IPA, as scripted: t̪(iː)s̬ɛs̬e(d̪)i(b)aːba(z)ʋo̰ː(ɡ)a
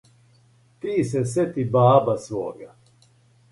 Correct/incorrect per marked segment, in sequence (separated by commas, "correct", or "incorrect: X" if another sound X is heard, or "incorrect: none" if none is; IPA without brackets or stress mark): correct, incorrect: t̪, correct, incorrect: s, correct